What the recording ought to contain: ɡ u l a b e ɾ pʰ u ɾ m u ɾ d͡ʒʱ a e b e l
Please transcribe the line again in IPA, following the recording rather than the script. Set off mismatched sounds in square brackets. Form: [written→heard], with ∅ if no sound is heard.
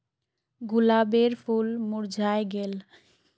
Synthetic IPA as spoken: ɡ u l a b e ɾ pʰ u [ɾ→l] m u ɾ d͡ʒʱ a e [b→ɡ] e l